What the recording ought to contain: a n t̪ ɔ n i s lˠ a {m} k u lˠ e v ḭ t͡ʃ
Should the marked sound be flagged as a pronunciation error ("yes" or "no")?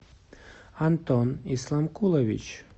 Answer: no